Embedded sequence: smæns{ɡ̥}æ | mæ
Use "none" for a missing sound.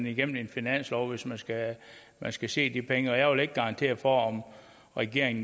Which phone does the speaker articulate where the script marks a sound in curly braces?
ɡ̥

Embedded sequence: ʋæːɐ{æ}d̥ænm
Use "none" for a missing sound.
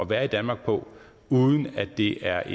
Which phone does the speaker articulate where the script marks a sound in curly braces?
i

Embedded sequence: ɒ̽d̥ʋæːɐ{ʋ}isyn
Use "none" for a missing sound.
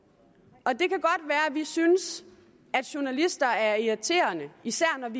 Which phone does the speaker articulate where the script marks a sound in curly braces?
ʋ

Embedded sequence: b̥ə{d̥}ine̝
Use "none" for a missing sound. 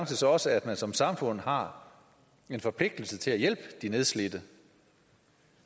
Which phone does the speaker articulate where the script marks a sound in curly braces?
d̥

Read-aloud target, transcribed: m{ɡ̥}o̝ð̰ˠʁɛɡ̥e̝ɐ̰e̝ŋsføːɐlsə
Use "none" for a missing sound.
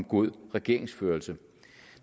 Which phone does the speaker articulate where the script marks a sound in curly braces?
ɡ̥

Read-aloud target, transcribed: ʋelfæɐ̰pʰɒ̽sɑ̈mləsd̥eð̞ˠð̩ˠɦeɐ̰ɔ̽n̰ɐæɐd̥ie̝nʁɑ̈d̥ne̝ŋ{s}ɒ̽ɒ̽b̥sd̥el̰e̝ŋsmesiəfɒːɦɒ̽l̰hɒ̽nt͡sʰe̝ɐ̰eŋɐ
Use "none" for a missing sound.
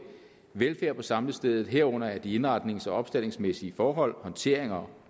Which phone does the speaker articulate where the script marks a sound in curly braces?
s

